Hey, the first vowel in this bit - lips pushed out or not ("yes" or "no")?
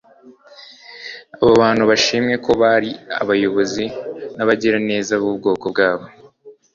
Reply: no